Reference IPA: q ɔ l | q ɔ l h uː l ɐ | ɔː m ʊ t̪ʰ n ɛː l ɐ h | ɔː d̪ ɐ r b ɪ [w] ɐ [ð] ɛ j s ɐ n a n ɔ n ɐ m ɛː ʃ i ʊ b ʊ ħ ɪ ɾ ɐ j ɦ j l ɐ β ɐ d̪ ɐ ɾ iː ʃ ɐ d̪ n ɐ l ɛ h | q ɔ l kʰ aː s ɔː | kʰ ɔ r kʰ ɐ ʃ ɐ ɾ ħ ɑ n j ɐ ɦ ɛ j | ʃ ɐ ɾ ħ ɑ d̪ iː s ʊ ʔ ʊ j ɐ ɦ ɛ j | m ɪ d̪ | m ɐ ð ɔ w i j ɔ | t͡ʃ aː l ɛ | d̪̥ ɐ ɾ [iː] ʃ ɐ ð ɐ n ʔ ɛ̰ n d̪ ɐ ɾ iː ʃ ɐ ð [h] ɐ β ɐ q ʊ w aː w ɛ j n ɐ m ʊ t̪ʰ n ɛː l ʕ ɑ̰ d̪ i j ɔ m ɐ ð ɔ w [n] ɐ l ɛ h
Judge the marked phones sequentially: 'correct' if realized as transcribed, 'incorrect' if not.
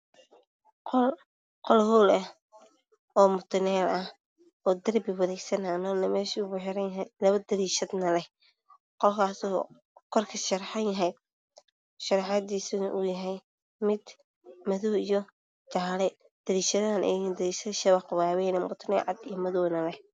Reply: correct, correct, correct, incorrect, correct

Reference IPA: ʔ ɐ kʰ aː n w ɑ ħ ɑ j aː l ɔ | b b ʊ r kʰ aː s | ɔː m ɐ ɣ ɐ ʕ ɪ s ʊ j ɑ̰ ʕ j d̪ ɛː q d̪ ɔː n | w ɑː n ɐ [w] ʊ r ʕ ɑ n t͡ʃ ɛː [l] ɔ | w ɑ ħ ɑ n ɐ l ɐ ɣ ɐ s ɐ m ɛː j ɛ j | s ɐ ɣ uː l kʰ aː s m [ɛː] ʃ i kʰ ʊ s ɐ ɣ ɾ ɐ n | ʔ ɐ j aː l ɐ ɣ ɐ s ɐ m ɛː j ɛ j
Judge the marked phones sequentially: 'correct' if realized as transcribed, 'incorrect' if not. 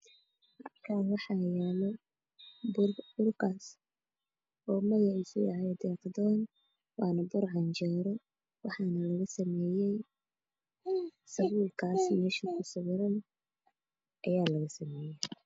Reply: incorrect, incorrect, correct

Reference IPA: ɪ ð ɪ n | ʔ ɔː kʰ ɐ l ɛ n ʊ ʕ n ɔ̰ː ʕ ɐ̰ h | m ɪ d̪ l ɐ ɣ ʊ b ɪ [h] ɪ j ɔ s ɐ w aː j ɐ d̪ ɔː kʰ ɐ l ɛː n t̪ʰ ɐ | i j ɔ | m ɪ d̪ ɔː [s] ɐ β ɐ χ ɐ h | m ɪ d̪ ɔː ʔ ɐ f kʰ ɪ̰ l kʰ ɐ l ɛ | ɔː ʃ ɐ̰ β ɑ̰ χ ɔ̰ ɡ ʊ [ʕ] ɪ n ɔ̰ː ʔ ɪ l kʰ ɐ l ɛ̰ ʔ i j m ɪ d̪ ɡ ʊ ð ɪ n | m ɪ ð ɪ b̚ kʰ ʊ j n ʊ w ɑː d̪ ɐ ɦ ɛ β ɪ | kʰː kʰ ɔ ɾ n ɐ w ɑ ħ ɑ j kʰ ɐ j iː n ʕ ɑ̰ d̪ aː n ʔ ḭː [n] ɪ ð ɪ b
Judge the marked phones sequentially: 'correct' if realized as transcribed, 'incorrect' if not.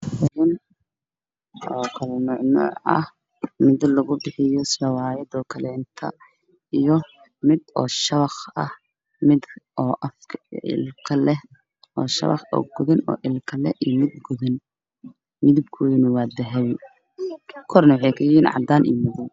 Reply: incorrect, incorrect, incorrect, incorrect

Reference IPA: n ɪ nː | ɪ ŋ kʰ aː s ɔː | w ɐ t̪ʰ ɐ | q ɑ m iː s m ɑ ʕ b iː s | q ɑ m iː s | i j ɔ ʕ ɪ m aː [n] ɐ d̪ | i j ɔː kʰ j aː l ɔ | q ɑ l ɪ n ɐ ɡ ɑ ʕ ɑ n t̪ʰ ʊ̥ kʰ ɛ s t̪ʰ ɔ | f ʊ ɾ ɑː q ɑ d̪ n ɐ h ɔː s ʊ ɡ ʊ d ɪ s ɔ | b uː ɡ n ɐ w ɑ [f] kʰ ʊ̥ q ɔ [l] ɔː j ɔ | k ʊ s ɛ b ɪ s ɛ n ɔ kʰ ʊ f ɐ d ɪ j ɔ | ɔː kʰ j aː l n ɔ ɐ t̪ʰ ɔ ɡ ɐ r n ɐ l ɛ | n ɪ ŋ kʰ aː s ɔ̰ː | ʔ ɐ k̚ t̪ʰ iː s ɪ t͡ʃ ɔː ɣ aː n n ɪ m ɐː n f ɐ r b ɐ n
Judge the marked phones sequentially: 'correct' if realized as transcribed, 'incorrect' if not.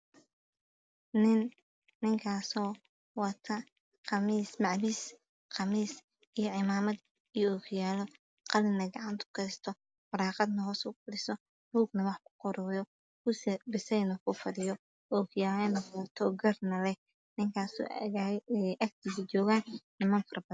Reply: incorrect, incorrect, incorrect

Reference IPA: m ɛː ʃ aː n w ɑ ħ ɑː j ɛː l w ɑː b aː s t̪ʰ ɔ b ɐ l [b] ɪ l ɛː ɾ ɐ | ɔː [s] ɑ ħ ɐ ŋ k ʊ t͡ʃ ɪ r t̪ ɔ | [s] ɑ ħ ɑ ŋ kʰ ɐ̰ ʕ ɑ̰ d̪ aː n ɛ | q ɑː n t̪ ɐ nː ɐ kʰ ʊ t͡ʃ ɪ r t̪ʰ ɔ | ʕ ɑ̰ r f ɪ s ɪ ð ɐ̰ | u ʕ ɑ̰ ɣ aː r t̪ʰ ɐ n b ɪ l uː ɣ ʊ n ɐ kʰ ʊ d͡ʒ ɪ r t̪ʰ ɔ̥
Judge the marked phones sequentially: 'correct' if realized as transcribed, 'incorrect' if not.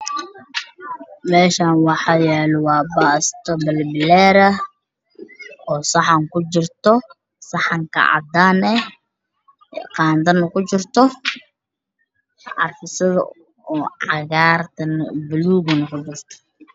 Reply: correct, correct, correct

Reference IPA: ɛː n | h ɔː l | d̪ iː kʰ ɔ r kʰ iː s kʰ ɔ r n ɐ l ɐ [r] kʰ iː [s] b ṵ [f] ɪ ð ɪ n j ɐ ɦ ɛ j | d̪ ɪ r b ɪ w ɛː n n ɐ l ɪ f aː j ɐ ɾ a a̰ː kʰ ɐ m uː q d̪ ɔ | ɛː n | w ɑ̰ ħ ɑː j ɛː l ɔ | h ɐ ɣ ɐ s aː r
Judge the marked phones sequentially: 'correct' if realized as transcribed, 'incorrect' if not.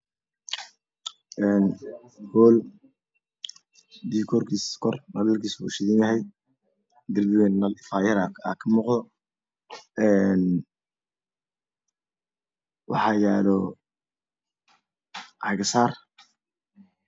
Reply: incorrect, correct, incorrect

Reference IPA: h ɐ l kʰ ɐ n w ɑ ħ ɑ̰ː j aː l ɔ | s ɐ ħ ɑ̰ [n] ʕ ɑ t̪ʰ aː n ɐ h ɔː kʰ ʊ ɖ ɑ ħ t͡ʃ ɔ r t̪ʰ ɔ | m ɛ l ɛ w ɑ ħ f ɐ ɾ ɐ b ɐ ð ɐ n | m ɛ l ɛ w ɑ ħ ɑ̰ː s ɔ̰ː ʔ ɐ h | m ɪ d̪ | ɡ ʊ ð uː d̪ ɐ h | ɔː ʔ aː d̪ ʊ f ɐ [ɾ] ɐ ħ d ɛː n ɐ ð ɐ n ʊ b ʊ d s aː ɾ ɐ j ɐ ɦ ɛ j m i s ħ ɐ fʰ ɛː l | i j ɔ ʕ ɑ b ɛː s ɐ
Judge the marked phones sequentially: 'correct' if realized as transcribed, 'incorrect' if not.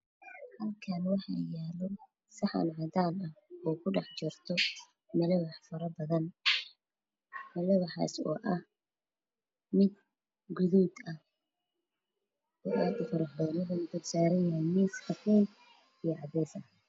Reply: correct, correct

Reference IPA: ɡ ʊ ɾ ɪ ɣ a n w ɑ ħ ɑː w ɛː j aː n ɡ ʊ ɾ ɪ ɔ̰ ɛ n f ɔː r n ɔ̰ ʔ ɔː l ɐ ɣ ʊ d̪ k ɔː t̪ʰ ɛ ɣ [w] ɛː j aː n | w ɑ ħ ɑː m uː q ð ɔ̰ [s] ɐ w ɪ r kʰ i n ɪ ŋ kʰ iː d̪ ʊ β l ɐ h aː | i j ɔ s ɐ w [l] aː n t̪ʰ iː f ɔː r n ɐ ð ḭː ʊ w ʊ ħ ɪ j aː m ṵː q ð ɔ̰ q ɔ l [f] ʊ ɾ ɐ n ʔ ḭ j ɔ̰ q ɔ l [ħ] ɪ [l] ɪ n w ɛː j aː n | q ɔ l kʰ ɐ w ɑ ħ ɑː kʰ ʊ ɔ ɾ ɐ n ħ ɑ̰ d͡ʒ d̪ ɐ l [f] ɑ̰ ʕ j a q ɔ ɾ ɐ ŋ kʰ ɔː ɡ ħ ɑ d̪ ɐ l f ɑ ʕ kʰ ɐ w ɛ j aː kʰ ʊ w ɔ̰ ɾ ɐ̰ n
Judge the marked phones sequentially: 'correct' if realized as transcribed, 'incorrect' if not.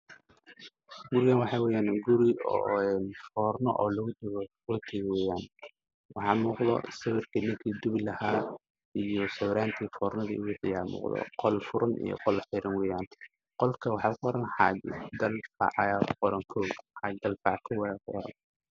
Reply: correct, correct, incorrect, correct, correct, incorrect, correct

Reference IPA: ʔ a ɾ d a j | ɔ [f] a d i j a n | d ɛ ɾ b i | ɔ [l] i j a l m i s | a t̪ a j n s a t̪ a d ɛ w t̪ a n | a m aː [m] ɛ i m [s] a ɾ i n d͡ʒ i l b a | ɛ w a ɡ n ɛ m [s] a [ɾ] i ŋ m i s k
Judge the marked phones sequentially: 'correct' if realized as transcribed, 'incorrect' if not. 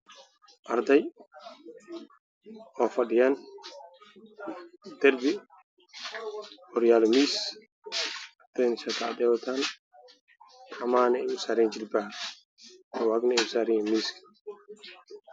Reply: correct, incorrect, incorrect, correct, correct, correct

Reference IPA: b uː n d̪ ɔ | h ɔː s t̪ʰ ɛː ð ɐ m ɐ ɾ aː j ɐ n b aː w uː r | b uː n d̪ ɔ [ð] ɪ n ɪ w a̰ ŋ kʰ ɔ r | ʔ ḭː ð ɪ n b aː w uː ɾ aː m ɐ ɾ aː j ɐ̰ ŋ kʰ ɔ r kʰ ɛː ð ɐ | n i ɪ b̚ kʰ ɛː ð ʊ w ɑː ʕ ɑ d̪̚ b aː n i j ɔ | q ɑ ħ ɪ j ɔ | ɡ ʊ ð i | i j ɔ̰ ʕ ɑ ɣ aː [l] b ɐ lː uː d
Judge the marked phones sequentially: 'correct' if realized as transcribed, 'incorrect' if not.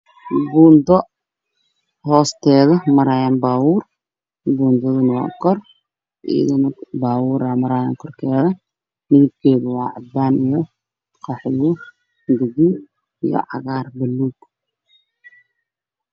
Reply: correct, incorrect

